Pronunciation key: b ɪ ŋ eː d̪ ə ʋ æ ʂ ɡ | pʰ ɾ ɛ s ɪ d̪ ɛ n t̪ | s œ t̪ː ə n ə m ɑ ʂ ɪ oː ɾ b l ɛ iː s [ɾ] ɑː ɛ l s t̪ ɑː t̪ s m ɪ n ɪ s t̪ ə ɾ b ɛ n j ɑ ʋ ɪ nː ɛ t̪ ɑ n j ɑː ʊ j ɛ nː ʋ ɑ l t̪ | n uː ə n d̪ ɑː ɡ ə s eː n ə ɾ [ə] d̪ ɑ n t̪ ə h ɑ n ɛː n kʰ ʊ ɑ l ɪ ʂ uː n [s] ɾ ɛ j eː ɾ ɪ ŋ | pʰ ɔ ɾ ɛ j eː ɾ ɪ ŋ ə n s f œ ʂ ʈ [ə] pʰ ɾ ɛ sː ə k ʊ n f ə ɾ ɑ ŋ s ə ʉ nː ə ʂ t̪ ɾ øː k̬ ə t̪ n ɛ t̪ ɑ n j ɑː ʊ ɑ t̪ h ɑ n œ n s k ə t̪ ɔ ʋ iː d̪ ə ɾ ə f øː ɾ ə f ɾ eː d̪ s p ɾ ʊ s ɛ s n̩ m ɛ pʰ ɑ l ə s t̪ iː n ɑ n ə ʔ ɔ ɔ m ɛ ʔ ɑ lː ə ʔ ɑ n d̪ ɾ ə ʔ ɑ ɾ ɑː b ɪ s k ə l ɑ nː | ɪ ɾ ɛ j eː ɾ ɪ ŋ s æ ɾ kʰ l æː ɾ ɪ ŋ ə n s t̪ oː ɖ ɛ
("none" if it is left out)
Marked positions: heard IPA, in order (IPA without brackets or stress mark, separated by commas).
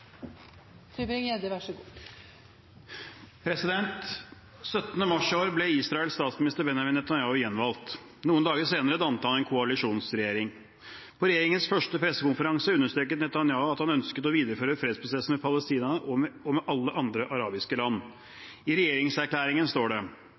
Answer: ɾ, ə, s, ə